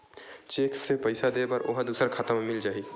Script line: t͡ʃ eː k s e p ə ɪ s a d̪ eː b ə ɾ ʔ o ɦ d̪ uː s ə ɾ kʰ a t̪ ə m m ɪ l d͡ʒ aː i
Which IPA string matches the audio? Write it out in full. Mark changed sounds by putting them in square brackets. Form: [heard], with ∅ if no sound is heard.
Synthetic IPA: t͡ʃ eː k s e p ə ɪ s a d̪ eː b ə ɾ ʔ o ɦ d̪ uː s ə ɾ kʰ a t̪ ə m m ɪ l d͡ʒ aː i